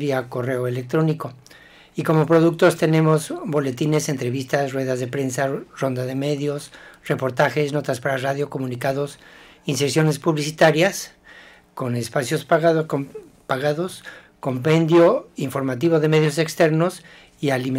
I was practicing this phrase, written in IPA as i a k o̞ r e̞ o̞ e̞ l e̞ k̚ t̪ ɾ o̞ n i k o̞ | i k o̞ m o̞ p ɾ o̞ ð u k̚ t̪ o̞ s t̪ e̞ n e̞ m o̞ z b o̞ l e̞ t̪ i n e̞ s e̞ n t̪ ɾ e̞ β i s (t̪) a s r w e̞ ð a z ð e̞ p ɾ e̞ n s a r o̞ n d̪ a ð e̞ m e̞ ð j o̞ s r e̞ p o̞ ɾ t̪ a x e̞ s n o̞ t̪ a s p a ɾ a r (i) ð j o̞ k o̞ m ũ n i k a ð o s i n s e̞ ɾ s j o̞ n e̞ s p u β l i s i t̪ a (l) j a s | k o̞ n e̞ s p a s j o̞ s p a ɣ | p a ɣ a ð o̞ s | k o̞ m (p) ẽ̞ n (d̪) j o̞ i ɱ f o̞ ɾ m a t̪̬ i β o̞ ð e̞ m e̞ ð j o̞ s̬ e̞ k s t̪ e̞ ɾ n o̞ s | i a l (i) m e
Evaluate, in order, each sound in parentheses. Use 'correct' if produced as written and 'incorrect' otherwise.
correct, incorrect: a, incorrect: ɾ, correct, correct, correct

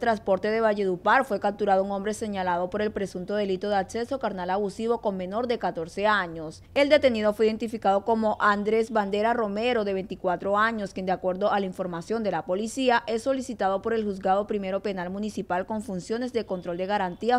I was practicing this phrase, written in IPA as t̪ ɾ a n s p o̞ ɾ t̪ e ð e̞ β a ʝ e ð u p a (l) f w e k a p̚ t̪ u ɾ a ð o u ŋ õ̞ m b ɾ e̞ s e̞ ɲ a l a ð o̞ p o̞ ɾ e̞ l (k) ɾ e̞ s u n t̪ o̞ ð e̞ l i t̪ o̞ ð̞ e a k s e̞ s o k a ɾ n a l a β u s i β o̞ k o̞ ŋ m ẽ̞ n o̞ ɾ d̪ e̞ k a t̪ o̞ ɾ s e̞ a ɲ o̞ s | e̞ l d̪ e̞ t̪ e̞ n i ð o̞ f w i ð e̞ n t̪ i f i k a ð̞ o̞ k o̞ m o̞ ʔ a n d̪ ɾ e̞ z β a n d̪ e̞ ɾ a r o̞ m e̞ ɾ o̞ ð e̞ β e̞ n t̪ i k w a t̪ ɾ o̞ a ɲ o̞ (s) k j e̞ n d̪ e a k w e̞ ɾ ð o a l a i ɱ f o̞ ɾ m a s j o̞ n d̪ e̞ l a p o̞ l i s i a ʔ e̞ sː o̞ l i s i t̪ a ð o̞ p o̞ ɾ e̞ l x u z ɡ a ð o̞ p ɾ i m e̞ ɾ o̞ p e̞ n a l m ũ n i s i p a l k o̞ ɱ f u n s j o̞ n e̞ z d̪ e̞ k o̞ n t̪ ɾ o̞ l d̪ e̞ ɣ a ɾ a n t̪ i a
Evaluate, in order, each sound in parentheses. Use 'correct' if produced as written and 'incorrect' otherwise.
incorrect: ɾ, incorrect: p, correct

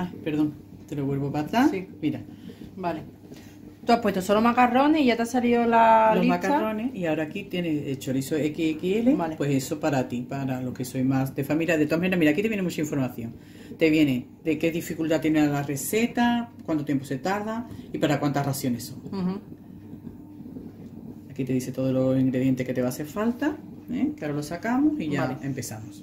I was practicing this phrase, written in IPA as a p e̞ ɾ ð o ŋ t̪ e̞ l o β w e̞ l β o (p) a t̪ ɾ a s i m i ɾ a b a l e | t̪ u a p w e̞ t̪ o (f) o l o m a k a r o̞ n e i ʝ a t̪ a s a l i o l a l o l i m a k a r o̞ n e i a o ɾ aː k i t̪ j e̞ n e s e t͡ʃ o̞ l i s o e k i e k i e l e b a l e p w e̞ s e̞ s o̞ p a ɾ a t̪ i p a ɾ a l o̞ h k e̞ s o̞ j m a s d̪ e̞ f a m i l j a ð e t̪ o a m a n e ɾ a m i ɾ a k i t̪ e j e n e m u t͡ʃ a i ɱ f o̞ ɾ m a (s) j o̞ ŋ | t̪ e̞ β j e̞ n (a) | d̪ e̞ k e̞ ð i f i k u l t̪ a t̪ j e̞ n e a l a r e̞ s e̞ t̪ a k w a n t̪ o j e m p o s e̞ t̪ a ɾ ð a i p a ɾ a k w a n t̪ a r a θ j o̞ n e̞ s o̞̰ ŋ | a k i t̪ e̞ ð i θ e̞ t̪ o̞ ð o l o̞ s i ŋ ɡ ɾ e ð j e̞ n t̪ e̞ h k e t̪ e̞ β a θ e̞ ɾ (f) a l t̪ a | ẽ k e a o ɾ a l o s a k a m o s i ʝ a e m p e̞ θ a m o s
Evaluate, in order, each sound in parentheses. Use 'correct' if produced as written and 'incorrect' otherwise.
correct, incorrect: s, incorrect: θ, incorrect: e, correct

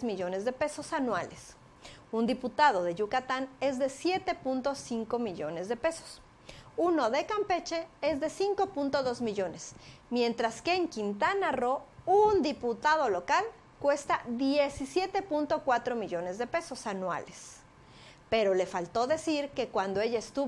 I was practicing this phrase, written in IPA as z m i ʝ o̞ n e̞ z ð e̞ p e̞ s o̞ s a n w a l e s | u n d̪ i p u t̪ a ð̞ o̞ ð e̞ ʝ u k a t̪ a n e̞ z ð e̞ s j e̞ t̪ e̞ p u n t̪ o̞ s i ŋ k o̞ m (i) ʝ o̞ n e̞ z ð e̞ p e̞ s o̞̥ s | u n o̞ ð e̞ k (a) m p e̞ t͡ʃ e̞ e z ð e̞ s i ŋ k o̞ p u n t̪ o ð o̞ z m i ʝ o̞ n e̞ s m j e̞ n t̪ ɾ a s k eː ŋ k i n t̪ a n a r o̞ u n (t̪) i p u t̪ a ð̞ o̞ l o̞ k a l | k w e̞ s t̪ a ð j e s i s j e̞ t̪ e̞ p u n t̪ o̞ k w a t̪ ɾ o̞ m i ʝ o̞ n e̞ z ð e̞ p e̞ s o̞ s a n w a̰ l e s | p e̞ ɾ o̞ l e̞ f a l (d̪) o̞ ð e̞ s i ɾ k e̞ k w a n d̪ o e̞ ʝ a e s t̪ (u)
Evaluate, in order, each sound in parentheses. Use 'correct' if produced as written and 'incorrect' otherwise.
correct, correct, incorrect: d̪, incorrect: t̪, correct

